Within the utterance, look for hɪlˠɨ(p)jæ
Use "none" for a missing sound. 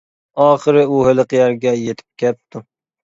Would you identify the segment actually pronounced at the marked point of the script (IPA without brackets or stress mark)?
q